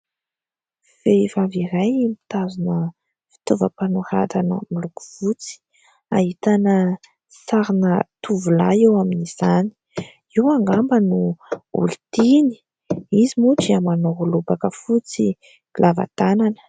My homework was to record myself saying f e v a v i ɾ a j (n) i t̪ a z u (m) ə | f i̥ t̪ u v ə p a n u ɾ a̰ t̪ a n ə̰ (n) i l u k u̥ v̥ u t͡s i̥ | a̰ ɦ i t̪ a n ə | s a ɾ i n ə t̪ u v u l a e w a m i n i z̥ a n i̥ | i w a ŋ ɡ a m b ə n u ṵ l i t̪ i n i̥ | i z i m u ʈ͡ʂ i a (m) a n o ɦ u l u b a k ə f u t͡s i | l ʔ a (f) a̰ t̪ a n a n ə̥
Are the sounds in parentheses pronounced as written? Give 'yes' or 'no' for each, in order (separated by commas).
no, no, no, yes, no